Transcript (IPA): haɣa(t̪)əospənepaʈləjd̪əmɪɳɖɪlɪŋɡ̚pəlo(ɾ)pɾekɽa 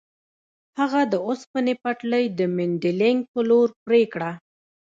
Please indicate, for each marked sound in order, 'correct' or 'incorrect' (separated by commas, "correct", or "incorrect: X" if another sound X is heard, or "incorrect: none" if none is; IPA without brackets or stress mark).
incorrect: d̪, correct